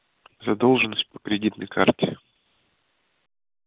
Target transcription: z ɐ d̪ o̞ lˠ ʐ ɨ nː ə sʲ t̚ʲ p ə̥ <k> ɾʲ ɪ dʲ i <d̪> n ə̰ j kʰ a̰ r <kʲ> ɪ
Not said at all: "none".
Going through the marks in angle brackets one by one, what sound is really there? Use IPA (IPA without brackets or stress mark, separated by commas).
k, t̪, tʲ